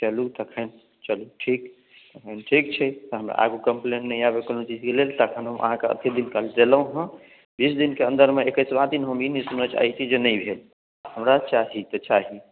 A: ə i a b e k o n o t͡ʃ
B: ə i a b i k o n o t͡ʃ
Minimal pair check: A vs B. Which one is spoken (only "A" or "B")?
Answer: A